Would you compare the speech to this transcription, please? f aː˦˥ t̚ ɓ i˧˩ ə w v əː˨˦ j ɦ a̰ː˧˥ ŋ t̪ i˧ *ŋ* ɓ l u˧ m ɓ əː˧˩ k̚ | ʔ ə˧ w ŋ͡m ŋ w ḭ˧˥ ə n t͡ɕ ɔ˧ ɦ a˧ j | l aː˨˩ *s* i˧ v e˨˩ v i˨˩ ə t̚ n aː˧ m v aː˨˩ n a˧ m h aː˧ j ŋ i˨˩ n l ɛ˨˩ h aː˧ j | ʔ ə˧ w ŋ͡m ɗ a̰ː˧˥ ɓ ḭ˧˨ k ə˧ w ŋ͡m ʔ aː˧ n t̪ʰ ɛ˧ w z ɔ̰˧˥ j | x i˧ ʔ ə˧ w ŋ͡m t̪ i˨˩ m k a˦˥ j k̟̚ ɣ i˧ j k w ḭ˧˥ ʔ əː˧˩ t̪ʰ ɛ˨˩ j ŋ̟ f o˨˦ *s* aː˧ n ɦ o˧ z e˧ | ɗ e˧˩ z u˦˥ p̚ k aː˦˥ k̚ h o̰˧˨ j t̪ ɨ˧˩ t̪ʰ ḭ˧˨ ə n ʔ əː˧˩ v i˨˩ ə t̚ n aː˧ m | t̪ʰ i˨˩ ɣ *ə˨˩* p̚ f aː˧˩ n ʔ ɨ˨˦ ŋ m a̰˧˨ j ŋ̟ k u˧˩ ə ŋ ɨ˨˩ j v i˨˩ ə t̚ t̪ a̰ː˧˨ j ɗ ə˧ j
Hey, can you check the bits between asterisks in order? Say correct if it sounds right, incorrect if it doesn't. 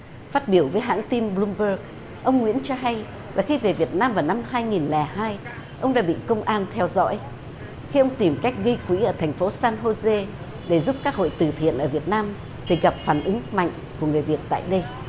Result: incorrect: m, incorrect: x, correct, incorrect: a˨˩

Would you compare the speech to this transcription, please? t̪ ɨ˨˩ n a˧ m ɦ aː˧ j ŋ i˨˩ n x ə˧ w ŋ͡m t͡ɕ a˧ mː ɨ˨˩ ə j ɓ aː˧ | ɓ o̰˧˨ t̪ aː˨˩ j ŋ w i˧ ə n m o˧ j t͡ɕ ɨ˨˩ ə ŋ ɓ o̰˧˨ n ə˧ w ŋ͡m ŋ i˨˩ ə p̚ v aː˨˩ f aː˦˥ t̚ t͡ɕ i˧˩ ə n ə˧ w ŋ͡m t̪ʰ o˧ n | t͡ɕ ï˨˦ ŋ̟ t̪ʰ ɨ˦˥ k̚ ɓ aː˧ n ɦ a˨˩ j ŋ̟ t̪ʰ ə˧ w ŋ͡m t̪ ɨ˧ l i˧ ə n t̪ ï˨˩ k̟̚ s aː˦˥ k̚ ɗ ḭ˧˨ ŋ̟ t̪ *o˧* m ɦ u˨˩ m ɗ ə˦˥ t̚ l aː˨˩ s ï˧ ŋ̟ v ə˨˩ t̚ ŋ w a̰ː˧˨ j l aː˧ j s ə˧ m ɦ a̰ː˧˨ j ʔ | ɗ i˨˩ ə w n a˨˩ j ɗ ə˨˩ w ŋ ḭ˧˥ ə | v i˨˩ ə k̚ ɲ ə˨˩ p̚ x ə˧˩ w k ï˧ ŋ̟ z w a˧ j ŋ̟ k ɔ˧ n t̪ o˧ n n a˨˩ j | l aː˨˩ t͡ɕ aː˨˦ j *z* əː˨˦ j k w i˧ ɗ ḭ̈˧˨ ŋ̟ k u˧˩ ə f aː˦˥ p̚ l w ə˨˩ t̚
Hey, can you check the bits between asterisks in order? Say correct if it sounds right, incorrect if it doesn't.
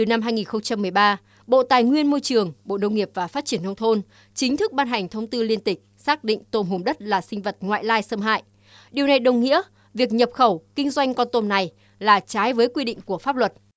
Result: correct, incorrect: v

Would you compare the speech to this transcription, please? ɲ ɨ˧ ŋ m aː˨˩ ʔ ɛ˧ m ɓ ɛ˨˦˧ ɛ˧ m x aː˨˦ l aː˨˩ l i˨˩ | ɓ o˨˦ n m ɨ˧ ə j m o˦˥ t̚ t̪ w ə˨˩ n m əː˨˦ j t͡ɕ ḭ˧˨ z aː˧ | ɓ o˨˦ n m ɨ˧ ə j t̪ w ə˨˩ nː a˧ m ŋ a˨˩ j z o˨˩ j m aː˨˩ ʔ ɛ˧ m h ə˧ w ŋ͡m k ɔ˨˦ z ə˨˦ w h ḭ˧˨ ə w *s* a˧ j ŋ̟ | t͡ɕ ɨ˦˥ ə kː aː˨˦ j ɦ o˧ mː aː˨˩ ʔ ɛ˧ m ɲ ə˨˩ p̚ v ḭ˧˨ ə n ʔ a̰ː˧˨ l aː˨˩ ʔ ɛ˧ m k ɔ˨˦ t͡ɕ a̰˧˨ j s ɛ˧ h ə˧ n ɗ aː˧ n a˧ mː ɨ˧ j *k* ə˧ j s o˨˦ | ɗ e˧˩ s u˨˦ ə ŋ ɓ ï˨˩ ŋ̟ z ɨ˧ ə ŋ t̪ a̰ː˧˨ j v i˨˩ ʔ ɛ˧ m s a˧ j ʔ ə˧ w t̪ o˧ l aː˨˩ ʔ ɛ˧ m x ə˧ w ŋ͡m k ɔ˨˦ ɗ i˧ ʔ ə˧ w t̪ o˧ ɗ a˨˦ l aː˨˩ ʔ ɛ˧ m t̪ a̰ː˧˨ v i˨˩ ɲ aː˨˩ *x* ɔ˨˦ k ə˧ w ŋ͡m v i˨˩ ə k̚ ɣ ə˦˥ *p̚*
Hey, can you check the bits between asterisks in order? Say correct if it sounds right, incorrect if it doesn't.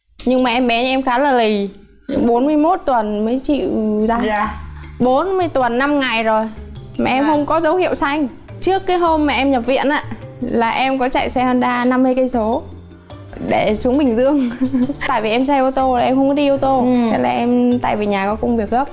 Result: correct, correct, incorrect: k, correct

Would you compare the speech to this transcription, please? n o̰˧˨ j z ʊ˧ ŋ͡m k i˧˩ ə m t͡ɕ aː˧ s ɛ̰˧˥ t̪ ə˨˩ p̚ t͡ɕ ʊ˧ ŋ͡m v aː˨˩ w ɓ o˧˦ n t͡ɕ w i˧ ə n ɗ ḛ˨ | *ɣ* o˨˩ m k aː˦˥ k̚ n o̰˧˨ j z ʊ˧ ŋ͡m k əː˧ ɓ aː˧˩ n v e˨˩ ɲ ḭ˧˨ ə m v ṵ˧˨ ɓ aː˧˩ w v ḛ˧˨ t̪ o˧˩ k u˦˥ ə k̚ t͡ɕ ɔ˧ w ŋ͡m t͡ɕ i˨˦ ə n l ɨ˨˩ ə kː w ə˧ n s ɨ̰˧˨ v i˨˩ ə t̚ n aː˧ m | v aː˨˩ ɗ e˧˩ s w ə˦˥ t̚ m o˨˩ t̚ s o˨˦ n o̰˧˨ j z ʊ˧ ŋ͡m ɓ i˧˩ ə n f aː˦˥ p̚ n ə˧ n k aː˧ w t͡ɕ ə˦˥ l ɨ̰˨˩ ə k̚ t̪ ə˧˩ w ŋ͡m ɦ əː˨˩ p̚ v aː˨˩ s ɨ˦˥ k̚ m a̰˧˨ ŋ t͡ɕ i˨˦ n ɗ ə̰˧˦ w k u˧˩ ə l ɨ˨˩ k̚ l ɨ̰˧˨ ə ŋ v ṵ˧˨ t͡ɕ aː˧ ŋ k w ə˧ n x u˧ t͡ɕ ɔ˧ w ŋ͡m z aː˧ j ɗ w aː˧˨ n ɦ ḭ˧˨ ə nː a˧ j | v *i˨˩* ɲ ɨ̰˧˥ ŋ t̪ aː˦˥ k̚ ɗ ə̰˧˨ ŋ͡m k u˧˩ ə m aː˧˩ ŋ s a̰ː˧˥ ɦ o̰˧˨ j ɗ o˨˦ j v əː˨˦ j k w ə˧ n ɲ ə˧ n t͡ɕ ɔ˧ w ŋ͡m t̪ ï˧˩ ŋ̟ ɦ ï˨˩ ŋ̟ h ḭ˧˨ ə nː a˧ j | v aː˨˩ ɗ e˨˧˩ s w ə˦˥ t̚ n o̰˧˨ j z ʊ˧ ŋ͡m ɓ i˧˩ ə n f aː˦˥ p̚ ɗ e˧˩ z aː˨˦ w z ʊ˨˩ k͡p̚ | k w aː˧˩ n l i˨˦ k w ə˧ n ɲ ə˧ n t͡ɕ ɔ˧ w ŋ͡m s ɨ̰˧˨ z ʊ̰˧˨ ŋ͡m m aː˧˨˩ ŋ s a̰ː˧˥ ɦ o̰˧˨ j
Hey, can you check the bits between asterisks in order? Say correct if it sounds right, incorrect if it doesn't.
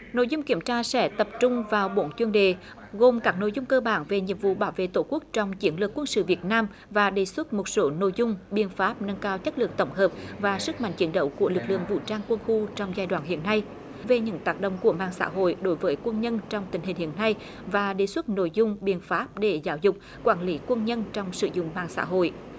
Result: correct, incorrect: e˨˩

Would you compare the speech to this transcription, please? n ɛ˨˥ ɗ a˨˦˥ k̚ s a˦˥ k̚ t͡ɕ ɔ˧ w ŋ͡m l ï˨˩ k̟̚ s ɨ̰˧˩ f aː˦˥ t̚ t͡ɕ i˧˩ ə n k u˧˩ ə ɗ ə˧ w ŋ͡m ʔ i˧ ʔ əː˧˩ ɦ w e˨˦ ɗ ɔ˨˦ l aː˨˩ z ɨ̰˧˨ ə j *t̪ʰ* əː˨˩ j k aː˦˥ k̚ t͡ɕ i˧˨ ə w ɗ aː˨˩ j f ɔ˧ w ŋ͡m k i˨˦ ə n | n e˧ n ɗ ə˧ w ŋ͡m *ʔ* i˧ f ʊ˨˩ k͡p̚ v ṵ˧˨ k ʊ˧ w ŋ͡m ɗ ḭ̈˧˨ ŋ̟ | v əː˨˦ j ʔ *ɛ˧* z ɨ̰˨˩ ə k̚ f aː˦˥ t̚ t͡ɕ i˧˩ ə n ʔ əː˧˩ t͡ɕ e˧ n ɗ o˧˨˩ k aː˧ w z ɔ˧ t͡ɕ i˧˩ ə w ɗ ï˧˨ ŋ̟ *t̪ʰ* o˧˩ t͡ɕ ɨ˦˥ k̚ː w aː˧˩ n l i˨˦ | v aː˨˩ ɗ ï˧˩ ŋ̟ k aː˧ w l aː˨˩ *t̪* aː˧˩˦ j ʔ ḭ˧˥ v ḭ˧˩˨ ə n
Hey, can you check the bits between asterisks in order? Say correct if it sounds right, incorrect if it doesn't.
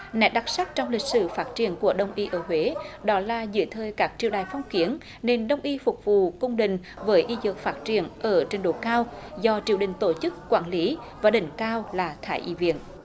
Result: correct, correct, incorrect: i˧, incorrect: t̪, incorrect: t̪ʰ

